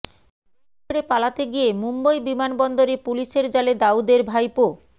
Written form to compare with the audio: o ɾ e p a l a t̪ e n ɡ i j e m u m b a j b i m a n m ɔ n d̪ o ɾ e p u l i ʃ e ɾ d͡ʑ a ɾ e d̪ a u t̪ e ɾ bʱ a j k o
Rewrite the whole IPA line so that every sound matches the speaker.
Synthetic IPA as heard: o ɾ e p a l a t̪ e ɡ i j e m u m b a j b i m a n b ɔ n d̪ o ɾ e p u l i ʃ e ɾ d͡ʑ a l e d̪ a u d̪ e ɾ bʱ a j p o